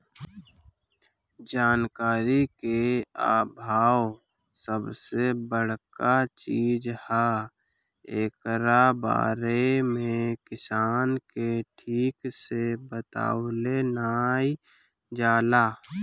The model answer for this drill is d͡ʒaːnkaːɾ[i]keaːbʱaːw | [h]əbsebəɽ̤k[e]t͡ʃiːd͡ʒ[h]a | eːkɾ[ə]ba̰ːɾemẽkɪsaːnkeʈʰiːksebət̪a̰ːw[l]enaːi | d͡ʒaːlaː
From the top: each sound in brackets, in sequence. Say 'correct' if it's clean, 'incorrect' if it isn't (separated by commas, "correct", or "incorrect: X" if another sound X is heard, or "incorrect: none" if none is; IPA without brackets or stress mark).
correct, incorrect: s, incorrect: a, correct, incorrect: a, correct